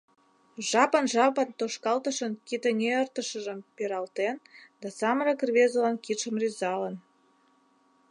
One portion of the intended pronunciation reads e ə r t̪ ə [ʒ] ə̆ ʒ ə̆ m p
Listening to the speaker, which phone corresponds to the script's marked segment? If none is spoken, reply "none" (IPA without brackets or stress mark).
ʃ